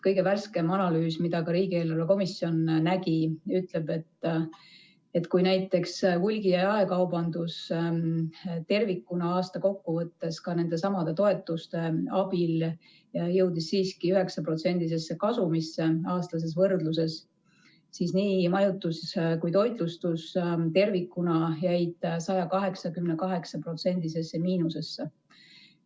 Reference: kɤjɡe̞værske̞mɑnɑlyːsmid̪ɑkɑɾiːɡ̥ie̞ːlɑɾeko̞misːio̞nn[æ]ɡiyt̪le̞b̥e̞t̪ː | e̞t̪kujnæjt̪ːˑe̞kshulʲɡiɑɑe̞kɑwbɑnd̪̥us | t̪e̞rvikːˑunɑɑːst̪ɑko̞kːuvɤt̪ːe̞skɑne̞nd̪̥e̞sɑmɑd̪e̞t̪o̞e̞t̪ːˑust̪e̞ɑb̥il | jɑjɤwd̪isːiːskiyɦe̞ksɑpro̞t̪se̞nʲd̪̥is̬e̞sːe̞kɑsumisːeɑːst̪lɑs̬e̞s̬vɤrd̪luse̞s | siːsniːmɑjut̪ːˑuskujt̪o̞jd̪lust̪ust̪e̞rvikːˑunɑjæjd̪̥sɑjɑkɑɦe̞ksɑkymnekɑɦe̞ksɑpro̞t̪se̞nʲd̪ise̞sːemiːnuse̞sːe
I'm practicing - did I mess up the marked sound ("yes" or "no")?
no